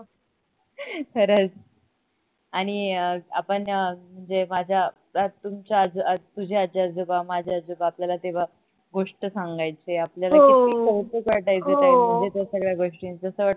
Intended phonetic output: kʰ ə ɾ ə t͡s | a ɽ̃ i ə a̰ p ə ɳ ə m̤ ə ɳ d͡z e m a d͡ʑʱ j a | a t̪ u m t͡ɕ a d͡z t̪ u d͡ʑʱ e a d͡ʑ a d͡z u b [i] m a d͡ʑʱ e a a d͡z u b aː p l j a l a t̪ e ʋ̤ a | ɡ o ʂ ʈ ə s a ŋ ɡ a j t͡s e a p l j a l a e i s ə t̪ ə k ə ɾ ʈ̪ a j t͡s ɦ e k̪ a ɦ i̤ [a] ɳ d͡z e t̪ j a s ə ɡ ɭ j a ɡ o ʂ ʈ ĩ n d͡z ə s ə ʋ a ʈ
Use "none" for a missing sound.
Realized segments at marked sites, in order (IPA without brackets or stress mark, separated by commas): a, ə